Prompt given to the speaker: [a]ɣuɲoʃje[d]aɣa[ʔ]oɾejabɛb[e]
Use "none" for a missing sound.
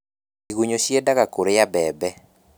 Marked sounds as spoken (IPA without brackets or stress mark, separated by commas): i, d, k, ɛ